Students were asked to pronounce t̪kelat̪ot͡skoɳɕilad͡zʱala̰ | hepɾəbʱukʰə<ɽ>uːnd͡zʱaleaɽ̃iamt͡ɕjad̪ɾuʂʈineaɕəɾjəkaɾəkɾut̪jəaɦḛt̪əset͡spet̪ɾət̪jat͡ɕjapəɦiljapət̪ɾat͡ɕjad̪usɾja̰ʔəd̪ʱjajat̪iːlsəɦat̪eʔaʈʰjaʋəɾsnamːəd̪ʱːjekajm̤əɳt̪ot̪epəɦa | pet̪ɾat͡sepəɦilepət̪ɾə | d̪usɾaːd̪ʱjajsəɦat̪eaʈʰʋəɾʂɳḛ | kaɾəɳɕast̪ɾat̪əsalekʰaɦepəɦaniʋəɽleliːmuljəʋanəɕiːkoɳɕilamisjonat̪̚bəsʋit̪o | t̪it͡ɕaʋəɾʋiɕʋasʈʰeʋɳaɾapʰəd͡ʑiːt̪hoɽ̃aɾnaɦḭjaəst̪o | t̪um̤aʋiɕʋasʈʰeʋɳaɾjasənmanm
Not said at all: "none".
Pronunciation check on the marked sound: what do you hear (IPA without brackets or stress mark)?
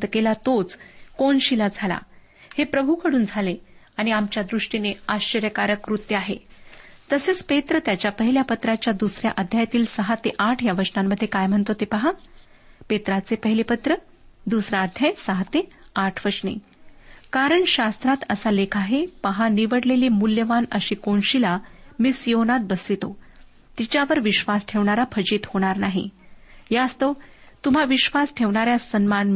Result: ɽ